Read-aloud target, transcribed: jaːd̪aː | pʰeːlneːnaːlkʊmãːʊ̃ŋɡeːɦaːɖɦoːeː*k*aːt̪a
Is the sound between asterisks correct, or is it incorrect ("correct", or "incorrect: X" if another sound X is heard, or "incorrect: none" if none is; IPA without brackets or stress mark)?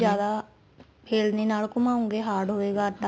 incorrect: ɡ